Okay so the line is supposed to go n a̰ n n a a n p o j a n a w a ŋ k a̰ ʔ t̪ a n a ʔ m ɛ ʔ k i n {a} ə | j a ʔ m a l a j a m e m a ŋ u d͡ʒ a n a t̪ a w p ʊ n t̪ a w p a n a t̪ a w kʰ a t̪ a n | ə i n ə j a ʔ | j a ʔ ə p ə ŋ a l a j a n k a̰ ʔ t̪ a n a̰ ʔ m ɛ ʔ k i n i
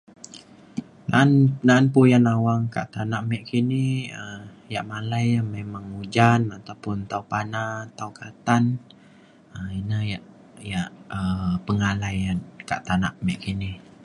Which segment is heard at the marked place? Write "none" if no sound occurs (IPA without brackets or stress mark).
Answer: i